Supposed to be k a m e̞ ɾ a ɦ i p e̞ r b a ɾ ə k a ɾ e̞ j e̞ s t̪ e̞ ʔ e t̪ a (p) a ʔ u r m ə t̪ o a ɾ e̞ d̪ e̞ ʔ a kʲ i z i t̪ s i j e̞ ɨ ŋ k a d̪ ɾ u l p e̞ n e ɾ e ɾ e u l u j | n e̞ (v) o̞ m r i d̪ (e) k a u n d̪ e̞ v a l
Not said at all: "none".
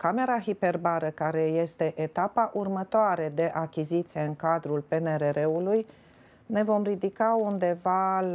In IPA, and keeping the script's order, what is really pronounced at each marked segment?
p, v, i

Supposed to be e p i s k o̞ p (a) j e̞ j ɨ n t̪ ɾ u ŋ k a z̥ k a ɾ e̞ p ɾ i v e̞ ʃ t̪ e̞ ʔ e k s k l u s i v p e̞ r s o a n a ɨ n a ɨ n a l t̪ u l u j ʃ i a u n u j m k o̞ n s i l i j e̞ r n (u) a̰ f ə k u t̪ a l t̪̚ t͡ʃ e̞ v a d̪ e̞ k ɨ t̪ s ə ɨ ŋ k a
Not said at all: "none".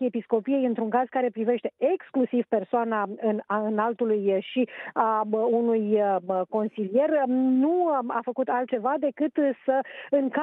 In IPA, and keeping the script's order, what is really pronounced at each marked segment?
i, u

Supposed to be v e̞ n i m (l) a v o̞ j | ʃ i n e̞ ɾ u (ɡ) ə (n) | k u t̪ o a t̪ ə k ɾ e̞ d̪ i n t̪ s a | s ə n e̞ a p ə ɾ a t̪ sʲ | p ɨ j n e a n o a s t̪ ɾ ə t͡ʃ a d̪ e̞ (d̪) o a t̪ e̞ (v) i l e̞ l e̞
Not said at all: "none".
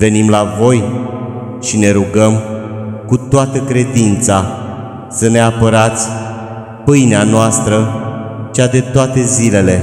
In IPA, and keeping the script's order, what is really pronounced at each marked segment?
l, ɡ, m, t̪, z

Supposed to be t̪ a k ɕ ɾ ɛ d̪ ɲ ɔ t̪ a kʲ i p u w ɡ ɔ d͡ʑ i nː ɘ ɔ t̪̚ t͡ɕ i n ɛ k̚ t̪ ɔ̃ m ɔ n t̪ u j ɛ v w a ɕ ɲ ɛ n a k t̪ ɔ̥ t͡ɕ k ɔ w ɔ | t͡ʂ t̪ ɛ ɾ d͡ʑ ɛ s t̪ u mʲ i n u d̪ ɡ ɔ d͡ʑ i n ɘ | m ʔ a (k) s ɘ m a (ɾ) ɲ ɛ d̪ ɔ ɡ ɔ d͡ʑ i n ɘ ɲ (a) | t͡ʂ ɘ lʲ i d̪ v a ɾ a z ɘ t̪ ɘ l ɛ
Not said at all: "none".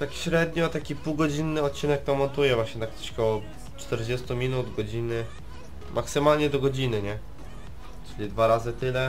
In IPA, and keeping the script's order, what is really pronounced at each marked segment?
k, l, ɛ

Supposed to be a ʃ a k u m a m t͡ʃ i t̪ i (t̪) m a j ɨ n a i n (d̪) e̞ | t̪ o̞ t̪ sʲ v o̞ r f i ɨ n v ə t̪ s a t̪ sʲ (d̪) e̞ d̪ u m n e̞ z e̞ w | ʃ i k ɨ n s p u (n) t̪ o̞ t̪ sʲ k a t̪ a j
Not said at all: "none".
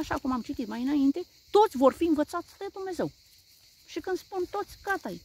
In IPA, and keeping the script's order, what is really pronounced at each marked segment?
t̪, t̪, d̪, n

